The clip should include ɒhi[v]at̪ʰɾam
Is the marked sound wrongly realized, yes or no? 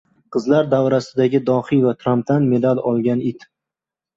no